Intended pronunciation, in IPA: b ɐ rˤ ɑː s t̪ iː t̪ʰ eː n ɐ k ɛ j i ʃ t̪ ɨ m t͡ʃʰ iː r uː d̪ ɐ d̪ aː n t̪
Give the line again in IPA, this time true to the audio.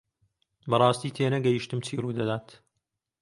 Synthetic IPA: b ɐ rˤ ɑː s t̪ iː t̪ʰ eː n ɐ ɡ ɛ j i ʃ t̪ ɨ m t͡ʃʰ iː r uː d̪ ɐ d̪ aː t̪

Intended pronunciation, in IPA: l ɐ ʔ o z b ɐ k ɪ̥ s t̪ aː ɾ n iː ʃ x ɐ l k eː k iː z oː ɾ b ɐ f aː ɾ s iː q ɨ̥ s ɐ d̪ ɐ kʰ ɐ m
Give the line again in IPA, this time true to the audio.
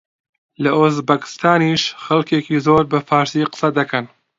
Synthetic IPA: l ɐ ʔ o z b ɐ k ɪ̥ s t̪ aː n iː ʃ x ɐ l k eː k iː z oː ɾ b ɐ f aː ɾ s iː q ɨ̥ s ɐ d̪ ɐ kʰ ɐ n

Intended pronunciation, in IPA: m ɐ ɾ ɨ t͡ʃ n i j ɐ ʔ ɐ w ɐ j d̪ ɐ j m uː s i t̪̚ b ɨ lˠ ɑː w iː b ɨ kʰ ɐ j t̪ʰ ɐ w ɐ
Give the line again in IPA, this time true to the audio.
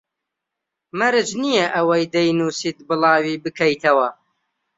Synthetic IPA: m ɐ ɾ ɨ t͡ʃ n i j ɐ ʔ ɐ w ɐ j d̪ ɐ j n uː s i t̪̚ b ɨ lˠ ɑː w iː b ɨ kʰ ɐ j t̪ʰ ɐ w ɐ

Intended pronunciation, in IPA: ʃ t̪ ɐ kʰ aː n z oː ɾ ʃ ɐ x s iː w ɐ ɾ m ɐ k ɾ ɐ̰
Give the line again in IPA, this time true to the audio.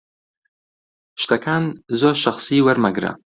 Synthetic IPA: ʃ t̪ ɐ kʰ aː n z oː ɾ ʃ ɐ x s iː w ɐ ɾ m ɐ ɡ ɾ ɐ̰

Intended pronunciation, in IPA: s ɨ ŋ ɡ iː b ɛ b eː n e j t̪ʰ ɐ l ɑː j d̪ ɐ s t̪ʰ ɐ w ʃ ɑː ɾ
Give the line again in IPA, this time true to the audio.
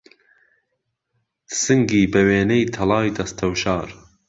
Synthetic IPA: s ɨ ŋ ɡ iː b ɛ w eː n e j t̪ʰ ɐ l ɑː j d̪ ɐ s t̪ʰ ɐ w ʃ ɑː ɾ

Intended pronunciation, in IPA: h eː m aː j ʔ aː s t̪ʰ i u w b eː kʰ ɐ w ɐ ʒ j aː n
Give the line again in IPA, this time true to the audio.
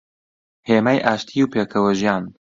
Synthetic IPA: h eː m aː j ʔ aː ʃ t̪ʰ i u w p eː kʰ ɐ w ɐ ʒ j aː n

